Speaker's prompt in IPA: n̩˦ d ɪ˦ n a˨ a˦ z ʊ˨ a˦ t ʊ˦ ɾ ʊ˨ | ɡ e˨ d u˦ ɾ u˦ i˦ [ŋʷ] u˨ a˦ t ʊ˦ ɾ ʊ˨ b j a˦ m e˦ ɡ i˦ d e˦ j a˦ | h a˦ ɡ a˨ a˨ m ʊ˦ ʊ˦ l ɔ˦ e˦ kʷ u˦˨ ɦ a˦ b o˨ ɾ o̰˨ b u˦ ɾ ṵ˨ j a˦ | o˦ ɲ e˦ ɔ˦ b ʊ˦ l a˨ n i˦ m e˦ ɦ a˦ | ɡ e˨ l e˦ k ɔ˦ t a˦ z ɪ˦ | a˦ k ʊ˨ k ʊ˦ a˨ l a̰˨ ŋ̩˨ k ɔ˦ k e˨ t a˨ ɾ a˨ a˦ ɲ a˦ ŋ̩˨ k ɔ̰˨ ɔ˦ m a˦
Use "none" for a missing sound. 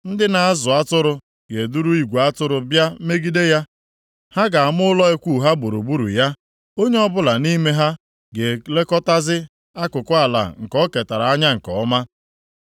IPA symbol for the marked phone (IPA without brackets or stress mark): ɡʷ